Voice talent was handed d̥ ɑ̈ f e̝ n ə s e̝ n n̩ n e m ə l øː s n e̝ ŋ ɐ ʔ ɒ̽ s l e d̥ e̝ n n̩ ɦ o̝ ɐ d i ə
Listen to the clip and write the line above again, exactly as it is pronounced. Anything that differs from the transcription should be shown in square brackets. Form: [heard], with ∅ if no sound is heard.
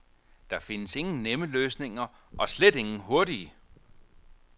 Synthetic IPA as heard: d̥ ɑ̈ f e̝ n ə s e̝ [ŋ] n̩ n e m ə l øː s n e̝ ŋ ɐ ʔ ɒ̽ s l e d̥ e̝ [ŋ] n̩ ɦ o̝ ɐ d i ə

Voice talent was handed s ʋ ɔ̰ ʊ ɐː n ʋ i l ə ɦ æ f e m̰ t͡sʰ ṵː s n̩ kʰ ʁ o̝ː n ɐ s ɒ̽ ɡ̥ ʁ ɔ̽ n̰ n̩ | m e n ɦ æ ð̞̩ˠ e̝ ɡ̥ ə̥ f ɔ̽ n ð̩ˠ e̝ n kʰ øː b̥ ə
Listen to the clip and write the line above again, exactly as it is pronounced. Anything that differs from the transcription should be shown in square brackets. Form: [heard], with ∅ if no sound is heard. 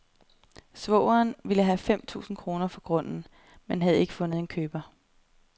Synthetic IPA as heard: s ʋ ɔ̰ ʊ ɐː n ʋ i l ə ɦ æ f e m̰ t͡sʰ ṵː s n̩ kʰ ʁ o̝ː n ɐ [f] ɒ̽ ɡ̥ ʁ ɔ̽ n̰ n̩ | m e n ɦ æ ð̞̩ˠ e̝ ɡ̥ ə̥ f ɔ̽ n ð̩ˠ e̝ n kʰ øː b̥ [ɐ]

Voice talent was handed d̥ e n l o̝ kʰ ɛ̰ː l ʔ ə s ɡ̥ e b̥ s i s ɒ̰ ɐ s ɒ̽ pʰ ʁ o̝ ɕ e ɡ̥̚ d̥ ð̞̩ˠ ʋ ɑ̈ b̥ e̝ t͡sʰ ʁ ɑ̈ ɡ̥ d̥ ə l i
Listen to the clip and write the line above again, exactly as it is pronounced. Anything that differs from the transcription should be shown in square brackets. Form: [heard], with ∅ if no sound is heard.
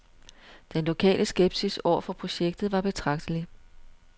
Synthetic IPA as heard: d̥ e n l o̝ kʰ ɛ̰ː l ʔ ə s ɡ̥ e b̥ s i s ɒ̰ ɐ [f] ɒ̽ pʰ ʁ o̝ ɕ e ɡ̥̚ d̥ ð̞̩ˠ ʋ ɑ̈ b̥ e̝ t͡sʰ ʁ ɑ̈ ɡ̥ d̥ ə l i

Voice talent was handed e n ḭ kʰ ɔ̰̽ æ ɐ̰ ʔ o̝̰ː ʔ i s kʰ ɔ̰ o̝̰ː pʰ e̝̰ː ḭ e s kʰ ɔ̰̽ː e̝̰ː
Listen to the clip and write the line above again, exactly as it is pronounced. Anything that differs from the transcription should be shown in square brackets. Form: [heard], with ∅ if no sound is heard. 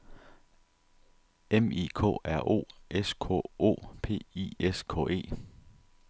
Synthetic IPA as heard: e [m] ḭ kʰ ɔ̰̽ æ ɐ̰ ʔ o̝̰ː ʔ [e] s kʰ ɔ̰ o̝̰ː pʰ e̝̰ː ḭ e s kʰ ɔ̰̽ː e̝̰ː

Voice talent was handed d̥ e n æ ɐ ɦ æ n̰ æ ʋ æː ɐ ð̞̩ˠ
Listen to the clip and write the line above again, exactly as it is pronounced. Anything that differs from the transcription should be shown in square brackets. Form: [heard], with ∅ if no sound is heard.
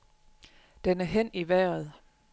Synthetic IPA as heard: d̥ e n æ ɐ ɦ [e] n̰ [i] ʋ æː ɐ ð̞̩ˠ

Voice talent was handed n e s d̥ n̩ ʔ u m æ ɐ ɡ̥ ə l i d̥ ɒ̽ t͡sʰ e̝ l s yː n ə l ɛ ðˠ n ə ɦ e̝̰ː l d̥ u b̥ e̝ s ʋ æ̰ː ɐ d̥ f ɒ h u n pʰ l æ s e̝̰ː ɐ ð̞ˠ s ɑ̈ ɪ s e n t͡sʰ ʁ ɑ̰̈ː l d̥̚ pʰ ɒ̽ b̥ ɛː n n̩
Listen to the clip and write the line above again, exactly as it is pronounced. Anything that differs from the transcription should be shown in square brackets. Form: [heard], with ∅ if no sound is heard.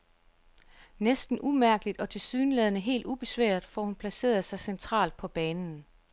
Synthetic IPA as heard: n e s d̥ n̩ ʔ u m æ ɐ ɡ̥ ə l i d̥ ɒ̽ t͡sʰ e̝ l s yː n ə l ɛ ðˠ n ə ɦ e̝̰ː l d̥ u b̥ e̝ s ʋ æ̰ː ɐ d̥ f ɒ h u n pʰ l æ s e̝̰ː ɐ ð̞ˠ s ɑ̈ ɪ s e n t͡sʰ ʁ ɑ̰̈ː l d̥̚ pʰ ɒ̽ b̥ ɛː n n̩

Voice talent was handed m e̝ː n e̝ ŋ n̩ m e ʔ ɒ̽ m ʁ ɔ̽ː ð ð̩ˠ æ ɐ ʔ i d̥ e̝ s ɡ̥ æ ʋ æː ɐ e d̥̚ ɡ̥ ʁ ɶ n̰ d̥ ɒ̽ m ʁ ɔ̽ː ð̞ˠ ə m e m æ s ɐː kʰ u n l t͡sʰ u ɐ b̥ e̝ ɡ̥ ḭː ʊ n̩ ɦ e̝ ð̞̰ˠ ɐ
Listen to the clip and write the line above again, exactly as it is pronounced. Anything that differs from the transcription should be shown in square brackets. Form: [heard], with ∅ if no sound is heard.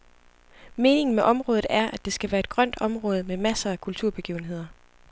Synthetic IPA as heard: m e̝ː n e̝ ŋ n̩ m e ʔ ɒ̽ m ʁ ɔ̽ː ð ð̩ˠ æ ɐ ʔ [æ] d̥ e̝ s ɡ̥ æ ʋ æː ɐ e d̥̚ ɡ̥ ʁ ɶ n̰ d̥ ɒ̽ m ʁ ɔ̽ː ð̞ˠ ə m e m æ s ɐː kʰ u [∅] l t͡sʰ u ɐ b̥ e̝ ɡ̥ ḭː ʊ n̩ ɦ e̝ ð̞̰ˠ ɐ

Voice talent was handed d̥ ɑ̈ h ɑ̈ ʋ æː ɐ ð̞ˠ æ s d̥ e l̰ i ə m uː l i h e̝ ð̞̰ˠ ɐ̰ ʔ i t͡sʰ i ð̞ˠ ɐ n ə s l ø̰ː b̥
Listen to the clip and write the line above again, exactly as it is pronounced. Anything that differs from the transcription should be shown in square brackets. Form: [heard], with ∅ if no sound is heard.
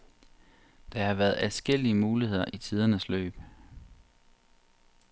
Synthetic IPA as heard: d̥ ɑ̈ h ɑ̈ ʋ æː ɐ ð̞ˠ æ s [ɡ̥] e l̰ i ə m uː l i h e̝ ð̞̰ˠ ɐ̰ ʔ i t͡sʰ i ð̞ˠ ɐ n ə s l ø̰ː b̥

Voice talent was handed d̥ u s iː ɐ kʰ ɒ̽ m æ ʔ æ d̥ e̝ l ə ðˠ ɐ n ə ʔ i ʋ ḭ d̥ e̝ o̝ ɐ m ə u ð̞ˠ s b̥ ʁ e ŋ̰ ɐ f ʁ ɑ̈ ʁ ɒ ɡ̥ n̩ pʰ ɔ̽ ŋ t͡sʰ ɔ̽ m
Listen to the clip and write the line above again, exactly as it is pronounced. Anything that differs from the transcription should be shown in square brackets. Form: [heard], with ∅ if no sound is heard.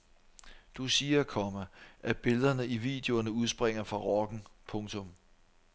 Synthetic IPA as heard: d̥ u s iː ɐ kʰ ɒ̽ m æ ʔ æ [b̥] e̝ l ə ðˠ ɐ n ə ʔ i ʋ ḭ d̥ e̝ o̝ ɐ [n] ə u ð̞ˠ s b̥ ʁ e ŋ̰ ɐ f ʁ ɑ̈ ʁ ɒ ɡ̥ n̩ pʰ ɔ̽ ŋ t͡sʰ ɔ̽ m

